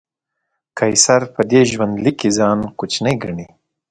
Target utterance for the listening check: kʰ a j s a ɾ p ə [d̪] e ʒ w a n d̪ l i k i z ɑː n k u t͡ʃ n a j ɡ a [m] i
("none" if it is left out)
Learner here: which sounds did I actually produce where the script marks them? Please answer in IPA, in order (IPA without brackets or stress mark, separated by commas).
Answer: d̪, ɳ